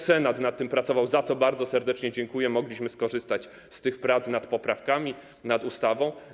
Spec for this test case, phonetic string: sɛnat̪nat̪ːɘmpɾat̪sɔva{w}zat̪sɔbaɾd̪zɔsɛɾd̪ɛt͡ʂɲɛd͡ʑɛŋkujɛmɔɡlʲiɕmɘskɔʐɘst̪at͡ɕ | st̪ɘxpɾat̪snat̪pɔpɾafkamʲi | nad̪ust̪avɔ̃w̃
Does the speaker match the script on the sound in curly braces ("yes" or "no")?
yes